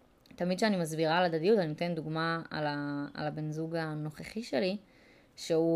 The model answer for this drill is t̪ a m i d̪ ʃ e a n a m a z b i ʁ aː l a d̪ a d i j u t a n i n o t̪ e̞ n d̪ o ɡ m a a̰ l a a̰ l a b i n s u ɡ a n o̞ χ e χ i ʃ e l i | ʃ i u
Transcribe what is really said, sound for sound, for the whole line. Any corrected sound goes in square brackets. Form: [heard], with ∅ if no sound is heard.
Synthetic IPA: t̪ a m i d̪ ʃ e a n [i] m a z b i ʁ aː l a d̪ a d i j u t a n i n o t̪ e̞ n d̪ [u] ɡ m a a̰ l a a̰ l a b [e] n [z] u ɡ a n o̞ χ e χ i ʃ e l i | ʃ [e] u